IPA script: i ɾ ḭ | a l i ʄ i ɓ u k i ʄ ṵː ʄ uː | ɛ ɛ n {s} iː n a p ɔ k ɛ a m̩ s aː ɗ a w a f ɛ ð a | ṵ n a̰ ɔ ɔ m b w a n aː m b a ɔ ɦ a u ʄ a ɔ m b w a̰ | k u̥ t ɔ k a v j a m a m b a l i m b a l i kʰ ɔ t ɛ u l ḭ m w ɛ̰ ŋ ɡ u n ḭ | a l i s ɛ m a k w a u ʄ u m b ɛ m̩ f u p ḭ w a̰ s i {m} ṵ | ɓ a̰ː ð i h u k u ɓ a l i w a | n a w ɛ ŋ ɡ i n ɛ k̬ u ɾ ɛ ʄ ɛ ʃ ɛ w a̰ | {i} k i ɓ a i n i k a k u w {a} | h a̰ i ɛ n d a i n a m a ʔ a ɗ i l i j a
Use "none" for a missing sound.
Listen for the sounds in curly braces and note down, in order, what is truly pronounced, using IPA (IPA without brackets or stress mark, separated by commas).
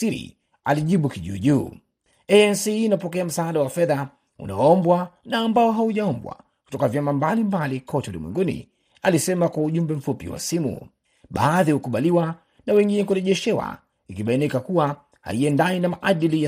s, m, i, a